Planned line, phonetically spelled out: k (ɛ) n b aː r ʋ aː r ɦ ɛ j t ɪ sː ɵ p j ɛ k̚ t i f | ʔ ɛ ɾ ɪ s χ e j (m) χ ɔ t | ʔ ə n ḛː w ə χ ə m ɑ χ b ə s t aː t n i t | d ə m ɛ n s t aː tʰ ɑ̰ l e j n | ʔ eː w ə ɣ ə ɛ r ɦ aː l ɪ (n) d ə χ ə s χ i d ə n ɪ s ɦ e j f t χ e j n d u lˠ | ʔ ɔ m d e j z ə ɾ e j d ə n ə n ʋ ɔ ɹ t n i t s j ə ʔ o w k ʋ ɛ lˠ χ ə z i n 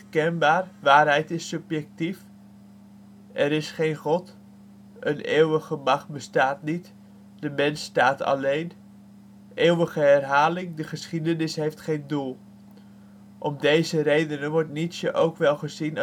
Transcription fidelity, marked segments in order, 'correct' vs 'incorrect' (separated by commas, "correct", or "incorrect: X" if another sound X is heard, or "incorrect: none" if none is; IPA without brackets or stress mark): correct, incorrect: n, incorrect: ŋ